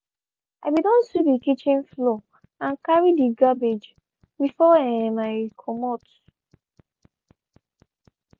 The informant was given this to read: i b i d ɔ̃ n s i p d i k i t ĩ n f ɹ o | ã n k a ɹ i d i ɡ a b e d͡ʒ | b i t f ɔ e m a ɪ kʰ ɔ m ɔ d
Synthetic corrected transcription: a b i d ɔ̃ n s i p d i k i t͡ʃ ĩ n f l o | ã n k a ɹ i d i ɡ a b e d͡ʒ | b i f ɔ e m a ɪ kʰ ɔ m ɔ t